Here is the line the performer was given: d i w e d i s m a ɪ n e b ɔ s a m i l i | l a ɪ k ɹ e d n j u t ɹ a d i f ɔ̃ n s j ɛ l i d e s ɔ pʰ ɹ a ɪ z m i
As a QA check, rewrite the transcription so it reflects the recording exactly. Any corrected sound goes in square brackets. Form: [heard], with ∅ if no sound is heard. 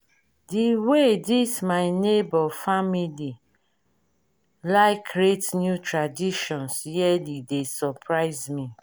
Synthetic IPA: d i w e d i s m a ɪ n e b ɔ [f] a m i l i | l a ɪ k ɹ e [t] n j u t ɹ a d i [ʃ] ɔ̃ n s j ɛ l i d e s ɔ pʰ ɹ a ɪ z m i